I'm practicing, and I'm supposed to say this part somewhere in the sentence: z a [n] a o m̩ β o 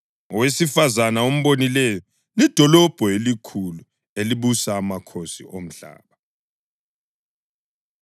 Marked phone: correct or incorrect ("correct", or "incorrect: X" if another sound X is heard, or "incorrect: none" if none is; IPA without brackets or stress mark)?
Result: correct